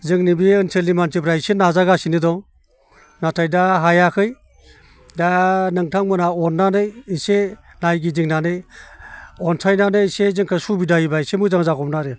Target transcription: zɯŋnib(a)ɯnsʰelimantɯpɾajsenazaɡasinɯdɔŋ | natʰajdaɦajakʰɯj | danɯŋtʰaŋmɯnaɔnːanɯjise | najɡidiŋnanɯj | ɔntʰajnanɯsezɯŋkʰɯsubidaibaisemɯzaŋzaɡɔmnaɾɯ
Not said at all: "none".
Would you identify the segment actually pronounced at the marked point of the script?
i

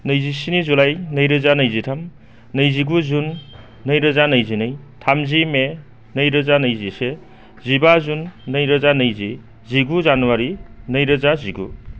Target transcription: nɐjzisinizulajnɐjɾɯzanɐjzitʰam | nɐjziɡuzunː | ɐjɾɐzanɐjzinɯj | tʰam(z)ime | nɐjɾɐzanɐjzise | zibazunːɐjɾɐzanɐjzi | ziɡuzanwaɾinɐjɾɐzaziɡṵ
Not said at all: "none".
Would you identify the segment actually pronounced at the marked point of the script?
z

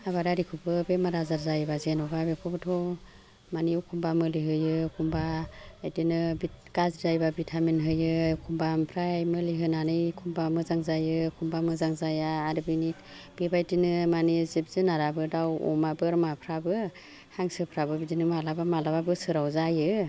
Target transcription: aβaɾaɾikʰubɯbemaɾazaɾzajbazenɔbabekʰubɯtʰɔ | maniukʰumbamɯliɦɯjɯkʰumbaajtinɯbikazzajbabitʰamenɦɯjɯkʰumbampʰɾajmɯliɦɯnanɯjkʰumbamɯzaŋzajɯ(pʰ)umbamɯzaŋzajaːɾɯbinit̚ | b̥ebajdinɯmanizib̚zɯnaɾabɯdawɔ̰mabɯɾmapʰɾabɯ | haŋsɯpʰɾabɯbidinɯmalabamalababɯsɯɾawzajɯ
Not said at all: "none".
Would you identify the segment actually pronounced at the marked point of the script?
kʰ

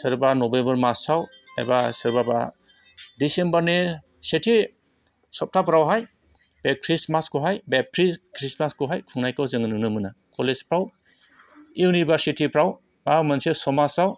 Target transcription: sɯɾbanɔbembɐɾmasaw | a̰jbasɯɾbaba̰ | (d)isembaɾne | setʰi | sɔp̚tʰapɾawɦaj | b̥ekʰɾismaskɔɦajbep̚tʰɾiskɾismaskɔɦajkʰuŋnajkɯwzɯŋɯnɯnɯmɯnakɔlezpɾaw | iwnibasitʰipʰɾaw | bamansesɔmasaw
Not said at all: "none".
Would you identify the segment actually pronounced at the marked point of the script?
d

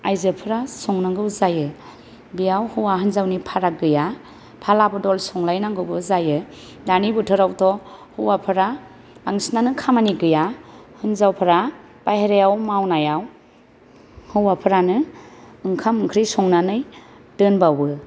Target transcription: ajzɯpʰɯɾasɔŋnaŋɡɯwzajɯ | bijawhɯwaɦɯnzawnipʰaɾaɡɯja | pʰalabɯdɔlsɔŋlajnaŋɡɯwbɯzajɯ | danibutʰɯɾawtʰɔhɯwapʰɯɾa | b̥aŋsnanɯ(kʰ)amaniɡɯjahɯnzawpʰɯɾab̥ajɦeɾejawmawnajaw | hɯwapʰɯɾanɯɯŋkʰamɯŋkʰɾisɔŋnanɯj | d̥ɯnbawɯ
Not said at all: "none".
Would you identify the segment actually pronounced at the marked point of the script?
kʰ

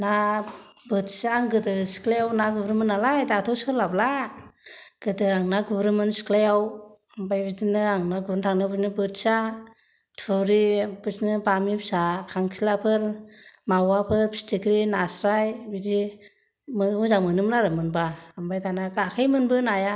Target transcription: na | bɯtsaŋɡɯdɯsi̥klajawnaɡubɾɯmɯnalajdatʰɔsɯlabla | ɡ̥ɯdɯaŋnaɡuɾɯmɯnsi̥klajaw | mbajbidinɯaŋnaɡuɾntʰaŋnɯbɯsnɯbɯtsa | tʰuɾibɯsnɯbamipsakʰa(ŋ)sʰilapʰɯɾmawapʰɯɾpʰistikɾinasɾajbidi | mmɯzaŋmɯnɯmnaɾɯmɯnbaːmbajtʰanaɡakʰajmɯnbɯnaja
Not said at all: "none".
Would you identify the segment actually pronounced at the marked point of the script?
ŋ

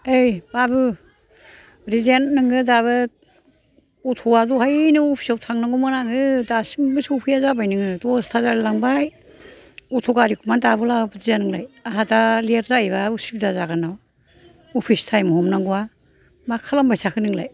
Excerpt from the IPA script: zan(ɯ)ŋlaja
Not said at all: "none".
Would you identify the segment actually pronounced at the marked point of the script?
ɯ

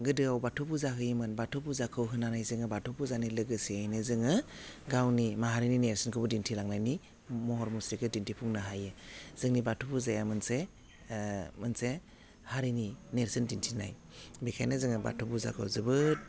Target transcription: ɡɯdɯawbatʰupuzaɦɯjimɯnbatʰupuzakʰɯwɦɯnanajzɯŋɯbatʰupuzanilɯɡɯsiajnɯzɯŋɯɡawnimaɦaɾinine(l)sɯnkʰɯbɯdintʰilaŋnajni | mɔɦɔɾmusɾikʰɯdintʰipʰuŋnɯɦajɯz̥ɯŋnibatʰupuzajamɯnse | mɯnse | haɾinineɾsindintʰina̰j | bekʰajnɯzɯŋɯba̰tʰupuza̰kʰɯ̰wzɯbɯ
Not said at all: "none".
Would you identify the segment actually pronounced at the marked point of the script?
ɾ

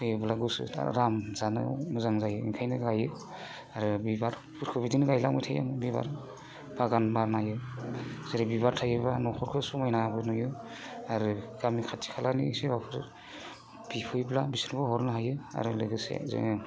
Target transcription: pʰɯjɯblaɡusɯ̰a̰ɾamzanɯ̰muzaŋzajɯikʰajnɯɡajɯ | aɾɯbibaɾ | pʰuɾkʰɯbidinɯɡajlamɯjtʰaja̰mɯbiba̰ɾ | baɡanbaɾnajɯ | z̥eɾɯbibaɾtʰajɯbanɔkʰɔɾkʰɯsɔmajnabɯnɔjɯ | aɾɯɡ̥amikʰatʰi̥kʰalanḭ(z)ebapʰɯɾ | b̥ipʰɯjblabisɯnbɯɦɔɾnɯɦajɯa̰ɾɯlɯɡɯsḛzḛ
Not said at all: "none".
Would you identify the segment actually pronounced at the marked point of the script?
s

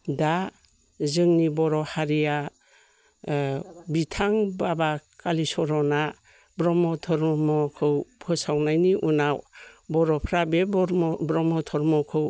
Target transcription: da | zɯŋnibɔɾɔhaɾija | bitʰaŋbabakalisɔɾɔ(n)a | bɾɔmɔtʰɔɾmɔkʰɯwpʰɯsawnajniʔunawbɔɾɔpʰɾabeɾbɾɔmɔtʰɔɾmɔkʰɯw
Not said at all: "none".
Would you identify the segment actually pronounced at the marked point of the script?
n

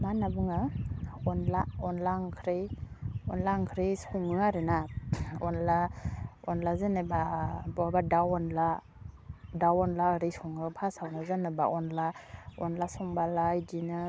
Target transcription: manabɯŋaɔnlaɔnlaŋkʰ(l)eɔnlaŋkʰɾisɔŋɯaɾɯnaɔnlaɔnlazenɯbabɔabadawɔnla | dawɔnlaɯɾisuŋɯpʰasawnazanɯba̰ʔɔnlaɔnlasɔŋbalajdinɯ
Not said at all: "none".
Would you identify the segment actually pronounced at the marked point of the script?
ɾ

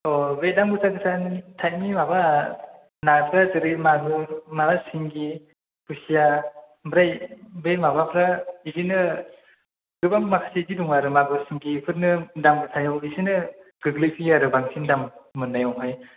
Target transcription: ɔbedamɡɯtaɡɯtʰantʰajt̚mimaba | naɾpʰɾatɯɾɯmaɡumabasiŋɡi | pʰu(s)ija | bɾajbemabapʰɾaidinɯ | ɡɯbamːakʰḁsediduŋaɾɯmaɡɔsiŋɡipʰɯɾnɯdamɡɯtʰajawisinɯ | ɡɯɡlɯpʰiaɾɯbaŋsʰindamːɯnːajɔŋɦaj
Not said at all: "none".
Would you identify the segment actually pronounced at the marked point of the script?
s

